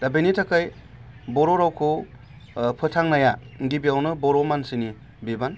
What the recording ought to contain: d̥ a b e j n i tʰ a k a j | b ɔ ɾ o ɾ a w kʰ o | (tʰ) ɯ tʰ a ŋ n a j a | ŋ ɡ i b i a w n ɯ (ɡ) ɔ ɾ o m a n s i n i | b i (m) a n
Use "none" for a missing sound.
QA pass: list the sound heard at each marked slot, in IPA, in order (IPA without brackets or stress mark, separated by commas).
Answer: pʰ, b, b